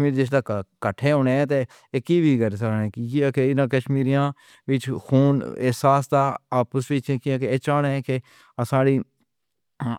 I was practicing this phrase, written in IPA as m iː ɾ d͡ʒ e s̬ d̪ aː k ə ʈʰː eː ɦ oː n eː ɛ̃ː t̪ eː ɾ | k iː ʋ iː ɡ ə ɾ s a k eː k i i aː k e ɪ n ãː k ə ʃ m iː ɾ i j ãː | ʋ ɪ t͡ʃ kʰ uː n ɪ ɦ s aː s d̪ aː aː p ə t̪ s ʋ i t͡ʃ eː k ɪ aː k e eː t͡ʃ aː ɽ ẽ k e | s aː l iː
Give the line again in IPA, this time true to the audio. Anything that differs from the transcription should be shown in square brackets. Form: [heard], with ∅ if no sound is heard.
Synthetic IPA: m iː ɾ d͡ʒ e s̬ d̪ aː k ə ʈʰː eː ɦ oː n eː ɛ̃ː t̪ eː [∅] | k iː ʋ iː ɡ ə ɾ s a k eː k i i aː k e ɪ n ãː k ə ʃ m iː ɾ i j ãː | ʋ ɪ t͡ʃ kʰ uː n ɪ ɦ s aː s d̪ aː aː p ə [∅] s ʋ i t͡ʃ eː k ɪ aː k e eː t͡ʃ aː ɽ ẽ k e | s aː [ɽ] iː